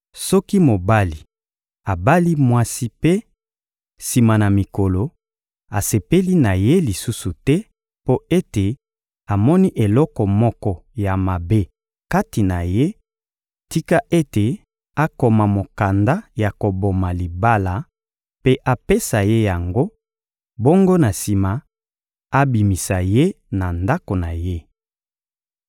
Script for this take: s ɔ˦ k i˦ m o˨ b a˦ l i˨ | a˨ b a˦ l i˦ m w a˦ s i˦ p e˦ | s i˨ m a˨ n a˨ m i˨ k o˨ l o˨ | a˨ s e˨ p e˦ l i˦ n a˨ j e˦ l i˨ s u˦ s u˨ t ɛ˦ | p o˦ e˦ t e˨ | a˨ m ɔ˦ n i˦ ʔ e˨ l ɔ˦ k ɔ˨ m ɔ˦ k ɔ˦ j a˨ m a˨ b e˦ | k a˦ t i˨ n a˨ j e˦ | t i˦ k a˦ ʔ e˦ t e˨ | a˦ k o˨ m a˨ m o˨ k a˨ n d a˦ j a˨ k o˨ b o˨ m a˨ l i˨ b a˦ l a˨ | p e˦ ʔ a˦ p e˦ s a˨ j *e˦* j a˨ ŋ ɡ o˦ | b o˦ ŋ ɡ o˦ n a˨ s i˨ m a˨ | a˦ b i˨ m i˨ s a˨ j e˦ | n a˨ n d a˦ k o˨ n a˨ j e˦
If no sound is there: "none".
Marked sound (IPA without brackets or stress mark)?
e˦